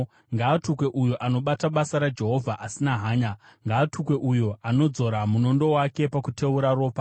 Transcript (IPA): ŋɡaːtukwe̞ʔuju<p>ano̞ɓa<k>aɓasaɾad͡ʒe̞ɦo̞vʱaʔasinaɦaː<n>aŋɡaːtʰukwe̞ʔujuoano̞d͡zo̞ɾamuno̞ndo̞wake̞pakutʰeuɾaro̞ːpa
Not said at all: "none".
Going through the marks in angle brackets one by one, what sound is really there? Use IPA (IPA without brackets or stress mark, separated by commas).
ʔ, t, ɲ